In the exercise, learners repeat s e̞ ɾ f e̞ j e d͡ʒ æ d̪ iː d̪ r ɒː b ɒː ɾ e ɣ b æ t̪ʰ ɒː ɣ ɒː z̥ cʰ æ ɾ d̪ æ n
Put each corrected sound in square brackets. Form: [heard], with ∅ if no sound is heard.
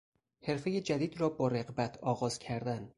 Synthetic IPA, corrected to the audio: [h] e̞ ɾ f e̞ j e d͡ʒ æ d̪ iː d̪ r ɒː b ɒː ɾ e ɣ b æ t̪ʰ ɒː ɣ ɒː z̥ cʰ æ ɾ d̪ æ n

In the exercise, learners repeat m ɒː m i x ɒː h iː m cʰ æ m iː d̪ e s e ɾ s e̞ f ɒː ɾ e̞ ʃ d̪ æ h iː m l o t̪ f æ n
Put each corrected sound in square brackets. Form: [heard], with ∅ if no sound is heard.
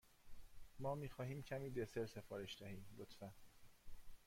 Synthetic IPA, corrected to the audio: m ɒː m [iː] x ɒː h iː m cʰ æ m iː d̪ e s e ɾ s e̞ f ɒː ɾ e̞ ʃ d̪ æ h iː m l o t̪ f æ n

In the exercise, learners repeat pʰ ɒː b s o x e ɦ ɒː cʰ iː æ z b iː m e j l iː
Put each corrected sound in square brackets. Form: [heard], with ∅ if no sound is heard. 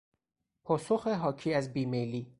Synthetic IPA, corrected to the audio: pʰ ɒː [∅] s o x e ɦ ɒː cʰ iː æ z b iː m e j l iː

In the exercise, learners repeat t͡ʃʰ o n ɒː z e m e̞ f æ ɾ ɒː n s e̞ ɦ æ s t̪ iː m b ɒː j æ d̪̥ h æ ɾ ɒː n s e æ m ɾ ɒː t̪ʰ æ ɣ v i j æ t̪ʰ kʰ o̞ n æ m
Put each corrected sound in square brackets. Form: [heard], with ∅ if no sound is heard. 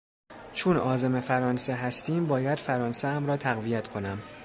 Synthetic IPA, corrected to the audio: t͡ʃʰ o n ɒː z e m e̞ f æ ɾ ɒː n s e̞ ɦ æ s t̪ iː m b ɒː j æ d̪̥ [f] æ ɾ ɒː n s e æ m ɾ ɒː t̪ʰ æ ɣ v i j æ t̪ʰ kʰ o̞ n æ m

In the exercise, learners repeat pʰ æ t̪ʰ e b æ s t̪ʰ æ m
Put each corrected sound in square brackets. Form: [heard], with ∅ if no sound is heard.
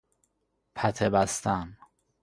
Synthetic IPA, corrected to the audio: pʰ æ t̪ʰ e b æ s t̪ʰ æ [n]

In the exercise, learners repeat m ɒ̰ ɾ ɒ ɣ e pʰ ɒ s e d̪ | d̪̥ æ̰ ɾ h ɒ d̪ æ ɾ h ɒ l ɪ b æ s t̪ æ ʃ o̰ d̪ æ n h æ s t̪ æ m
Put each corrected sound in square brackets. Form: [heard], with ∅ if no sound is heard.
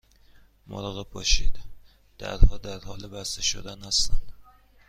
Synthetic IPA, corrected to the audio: m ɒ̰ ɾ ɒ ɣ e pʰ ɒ [ʃ] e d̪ | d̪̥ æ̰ ɾ h ɒ d̪ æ ɾ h ɒ l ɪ b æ s t̪ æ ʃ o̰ d̪ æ n h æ s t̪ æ [n]

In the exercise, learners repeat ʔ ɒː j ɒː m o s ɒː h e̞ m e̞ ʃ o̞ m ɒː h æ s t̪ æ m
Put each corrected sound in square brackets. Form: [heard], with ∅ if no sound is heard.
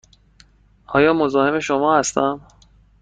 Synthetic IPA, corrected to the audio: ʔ ɒː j ɒː m o [z] ɒː h e̞ m e̞ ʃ o̞ m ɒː h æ s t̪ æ m

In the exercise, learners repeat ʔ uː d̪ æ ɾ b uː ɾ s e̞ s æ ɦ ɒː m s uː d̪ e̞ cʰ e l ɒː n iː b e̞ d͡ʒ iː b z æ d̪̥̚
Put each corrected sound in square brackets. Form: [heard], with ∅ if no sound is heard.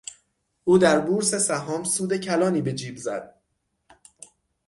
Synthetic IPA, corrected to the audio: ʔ uː d̪ æ ɾ b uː ɾ s e̞ s æ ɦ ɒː m s uː d̪ e̞ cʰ [æ] l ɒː n iː b e̞ d͡ʒ iː b z æ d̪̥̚

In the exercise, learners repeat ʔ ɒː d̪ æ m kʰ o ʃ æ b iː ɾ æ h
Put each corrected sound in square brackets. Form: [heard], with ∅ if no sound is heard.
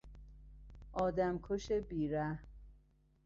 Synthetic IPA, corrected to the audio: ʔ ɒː d̪ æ m kʰ o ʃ [e] b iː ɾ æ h

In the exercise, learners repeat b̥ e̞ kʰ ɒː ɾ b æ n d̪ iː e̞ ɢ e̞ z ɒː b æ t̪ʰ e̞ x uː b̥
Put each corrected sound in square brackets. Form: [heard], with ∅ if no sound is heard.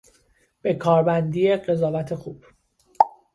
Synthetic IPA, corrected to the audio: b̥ e̞ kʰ ɒː ɾ b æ n d̪ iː e̞ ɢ e̞ z ɒː [v] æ t̪ʰ e̞ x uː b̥

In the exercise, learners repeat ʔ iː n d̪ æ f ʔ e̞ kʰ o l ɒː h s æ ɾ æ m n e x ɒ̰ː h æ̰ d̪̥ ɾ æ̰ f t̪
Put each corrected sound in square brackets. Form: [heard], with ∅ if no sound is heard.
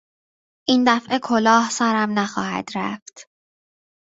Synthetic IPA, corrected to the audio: ʔ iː n d̪ æ f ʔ e̞ kʰ o l ɒː h s æ ɾ æ m n [æ] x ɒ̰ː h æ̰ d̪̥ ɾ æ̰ f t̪

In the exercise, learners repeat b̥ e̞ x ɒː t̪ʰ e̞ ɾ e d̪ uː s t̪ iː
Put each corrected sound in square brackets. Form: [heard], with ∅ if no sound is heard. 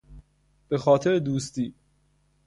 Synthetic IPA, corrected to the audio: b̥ e̞ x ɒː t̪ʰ e̞ ɾ e d̪ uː s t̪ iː

